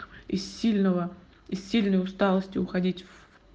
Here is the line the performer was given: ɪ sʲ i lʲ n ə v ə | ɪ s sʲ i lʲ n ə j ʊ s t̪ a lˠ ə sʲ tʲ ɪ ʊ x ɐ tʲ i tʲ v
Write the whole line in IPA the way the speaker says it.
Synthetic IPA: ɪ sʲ i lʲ n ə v ə | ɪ s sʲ i lʲ n ə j ʊ s t̪ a lˠ ə sʲ tʲ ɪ ʊ x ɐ dʲ i tʲ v